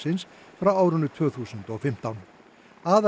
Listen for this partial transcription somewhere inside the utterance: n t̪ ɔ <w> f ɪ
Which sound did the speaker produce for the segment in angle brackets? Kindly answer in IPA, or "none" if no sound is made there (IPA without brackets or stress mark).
ɣ